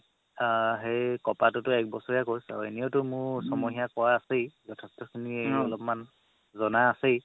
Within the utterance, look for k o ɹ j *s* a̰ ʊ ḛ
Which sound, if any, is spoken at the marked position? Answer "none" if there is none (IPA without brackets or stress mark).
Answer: s